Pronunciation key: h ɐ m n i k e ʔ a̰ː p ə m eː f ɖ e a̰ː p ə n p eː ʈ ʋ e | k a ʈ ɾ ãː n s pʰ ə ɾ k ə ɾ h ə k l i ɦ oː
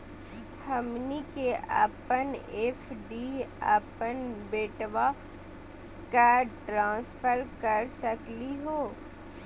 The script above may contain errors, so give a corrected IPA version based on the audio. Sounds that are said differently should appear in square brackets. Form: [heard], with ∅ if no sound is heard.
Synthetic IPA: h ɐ m n i k e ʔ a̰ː p ə [n] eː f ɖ [i] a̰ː p ə n [b] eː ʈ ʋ [a] | k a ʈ ɾ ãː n s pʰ ə ɾ k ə ɾ [s] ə k l i ɦ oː